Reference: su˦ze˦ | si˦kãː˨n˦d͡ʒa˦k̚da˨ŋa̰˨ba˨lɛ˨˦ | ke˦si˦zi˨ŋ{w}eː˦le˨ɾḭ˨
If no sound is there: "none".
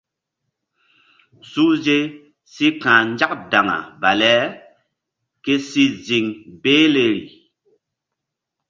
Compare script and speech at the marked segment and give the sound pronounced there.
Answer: b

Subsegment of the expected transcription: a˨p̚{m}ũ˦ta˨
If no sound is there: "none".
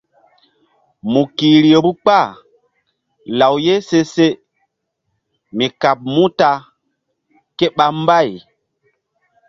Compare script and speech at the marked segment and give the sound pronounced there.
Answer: m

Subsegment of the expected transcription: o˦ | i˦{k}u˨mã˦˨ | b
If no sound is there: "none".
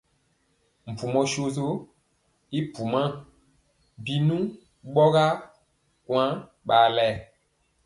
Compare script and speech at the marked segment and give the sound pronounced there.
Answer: p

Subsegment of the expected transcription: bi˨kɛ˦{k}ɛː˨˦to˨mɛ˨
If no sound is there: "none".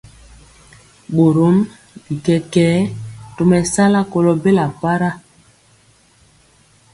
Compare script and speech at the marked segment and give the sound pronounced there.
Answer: k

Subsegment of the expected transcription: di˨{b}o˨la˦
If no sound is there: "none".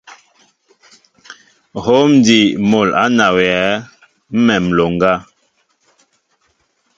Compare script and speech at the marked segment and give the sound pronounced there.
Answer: m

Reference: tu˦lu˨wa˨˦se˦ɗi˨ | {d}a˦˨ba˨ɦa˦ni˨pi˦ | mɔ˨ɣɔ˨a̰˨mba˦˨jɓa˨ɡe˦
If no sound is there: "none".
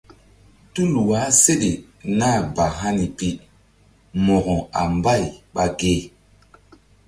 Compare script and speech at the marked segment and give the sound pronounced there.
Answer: n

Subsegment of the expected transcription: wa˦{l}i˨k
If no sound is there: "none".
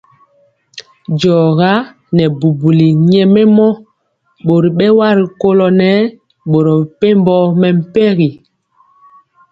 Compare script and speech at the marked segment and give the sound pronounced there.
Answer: ɾ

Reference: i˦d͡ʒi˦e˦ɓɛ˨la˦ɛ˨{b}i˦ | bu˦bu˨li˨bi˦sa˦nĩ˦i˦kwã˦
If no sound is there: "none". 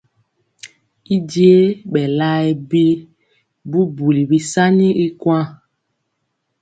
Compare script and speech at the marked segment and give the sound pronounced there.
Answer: b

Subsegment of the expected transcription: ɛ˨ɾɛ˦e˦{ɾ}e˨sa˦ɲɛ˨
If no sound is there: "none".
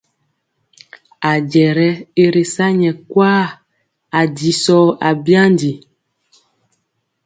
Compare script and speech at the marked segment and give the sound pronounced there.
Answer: ɾ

